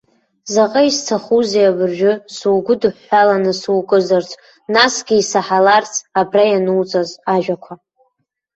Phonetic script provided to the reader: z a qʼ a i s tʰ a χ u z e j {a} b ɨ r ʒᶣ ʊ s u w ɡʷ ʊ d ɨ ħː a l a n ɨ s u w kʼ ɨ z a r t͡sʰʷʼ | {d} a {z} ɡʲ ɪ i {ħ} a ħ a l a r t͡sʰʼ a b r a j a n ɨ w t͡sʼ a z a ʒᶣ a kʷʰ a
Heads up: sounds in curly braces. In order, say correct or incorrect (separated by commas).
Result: correct, incorrect, incorrect, incorrect